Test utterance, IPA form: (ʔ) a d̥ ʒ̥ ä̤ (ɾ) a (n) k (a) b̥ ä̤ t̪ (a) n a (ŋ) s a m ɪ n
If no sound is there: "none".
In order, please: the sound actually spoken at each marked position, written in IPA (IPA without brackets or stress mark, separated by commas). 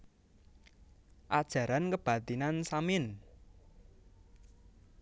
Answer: ʔ, ɾ, n, ə, i, n